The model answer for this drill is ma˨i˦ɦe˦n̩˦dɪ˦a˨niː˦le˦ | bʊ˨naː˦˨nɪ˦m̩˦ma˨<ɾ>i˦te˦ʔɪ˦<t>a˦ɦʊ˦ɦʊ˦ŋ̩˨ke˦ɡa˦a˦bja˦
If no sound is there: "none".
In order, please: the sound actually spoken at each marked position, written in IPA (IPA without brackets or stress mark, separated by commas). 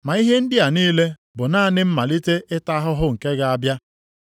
l, t